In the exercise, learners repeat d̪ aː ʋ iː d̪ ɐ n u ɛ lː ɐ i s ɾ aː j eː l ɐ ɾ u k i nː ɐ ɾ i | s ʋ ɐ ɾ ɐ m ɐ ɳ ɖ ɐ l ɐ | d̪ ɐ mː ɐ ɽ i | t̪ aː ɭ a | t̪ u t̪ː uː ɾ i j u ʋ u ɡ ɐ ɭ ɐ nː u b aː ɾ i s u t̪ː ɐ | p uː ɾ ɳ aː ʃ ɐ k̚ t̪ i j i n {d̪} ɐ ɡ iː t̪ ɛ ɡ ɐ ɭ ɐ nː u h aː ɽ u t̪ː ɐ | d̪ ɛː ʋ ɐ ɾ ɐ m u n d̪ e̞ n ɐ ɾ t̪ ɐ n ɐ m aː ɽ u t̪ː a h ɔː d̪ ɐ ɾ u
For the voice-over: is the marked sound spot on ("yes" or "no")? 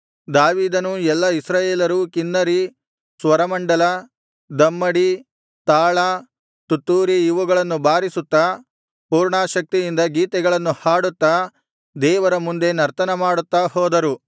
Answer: yes